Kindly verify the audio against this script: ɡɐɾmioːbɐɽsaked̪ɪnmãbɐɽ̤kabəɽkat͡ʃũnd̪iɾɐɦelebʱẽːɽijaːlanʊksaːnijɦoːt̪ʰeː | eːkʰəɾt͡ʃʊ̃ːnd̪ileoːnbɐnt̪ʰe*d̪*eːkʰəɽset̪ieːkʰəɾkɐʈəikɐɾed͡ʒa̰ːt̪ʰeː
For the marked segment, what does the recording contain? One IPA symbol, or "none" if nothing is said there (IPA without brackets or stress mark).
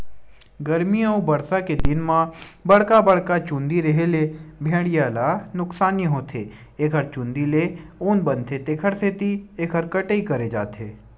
t̪